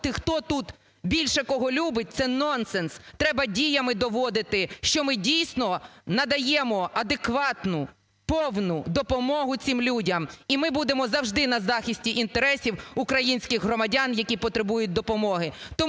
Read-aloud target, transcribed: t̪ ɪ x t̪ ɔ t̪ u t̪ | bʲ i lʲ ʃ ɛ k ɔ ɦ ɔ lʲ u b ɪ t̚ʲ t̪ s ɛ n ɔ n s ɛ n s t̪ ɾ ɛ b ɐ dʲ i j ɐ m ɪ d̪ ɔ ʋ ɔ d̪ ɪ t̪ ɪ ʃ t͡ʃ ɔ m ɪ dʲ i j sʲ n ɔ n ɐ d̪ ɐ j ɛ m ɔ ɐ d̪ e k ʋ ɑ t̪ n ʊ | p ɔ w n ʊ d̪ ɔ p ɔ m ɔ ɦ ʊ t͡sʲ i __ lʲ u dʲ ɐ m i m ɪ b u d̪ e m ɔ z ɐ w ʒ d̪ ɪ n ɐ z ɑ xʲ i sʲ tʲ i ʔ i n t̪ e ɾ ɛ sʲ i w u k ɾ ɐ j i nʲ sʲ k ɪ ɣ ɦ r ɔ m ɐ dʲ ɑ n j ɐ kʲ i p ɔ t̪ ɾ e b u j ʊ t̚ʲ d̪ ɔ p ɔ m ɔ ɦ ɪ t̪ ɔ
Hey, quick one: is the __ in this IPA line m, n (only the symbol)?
m